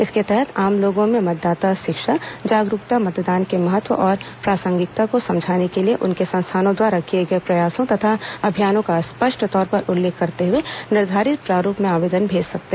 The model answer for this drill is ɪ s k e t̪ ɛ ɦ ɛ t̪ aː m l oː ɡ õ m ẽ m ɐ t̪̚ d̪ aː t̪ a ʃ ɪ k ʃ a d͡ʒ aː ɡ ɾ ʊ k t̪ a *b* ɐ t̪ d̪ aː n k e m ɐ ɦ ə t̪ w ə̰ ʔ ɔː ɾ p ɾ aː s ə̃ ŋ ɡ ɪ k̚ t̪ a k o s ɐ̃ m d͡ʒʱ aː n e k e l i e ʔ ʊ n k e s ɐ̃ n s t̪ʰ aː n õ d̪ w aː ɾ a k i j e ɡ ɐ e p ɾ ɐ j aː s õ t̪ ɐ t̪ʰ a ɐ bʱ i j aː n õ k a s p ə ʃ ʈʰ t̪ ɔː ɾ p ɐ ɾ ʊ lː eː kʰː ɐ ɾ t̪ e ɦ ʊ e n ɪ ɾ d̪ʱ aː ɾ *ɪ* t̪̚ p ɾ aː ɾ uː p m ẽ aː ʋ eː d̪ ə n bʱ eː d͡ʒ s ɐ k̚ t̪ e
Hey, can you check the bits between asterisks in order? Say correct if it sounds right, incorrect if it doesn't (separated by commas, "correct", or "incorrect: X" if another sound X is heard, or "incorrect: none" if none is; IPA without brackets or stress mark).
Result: incorrect: m, correct